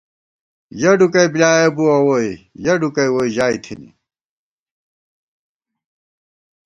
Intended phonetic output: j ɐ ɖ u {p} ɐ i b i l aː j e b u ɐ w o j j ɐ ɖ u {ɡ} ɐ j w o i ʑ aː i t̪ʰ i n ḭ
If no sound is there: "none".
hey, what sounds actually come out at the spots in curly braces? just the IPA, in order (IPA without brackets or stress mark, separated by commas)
k, k